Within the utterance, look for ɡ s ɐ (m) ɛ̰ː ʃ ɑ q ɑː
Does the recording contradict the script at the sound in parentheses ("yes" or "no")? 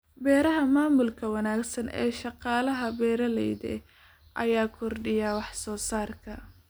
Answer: yes